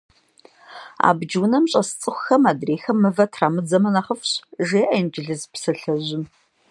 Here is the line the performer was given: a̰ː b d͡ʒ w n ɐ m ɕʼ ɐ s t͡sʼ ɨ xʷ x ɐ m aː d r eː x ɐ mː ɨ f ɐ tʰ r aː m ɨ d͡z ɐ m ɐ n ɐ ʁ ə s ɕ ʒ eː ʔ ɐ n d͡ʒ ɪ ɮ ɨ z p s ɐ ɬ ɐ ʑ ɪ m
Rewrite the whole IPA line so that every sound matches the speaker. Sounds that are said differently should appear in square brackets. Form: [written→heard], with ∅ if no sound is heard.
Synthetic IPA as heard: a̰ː b d͡ʒ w n ɐ m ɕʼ ɐ s t͡sʼ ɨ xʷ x ɐ m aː d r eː x ɐ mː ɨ [f→v] ɐ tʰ r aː m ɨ d͡z ɐ m ɐ n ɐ [ʁ→χ] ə [s→f] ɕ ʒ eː ʔ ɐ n d͡ʒ ɪ ɮ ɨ z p s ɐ ɬ ɐ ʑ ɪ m